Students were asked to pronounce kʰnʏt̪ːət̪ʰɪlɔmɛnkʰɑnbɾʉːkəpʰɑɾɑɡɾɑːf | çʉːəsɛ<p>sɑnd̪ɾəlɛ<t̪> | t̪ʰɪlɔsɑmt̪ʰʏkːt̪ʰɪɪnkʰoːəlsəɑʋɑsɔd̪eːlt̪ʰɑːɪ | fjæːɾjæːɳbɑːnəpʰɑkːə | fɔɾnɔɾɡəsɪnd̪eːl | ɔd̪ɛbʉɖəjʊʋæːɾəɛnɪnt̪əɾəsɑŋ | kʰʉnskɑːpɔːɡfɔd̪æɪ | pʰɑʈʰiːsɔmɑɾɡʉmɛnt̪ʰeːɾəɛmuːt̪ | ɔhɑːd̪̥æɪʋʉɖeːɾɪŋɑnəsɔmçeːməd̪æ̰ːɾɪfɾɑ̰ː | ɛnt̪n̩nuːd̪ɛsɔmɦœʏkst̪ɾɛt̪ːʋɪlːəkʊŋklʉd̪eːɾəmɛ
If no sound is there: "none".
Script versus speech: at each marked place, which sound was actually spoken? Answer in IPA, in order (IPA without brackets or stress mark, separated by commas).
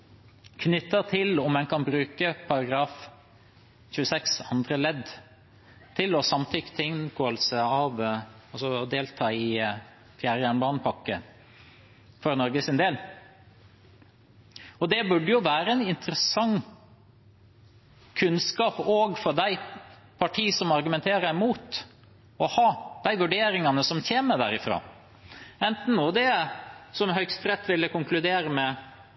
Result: k, d̪